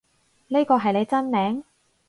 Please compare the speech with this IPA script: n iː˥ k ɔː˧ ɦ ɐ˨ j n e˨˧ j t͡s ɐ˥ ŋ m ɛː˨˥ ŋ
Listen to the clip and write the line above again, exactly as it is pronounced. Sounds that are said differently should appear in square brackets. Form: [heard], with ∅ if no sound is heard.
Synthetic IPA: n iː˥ k ɔː˧ ɦ ɐ˨ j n e˨˧ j t͡s ɐ˥ [n] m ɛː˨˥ ŋ